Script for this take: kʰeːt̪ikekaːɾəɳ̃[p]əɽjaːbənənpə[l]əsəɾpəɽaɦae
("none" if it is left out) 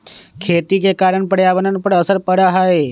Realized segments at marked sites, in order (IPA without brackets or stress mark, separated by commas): p, ɽ